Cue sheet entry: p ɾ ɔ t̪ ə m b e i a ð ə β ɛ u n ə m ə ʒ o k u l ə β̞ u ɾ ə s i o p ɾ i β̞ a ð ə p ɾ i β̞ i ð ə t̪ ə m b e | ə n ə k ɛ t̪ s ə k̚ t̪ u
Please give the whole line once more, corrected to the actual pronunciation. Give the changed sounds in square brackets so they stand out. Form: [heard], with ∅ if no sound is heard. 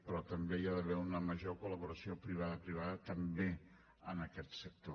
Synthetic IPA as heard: p ɾ ɔ t̪ ə m b e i a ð ə β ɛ u n ə m ə ʒ o k u l ə β̞ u ɾ ə s i o p ɾ i β̞ a ð ə p ɾ i β̞ [a] ð ə t̪ ə m b e | ə n ə k ɛ t̪ s ə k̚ t̪ [o]